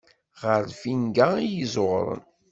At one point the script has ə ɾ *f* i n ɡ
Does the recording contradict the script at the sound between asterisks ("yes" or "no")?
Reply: no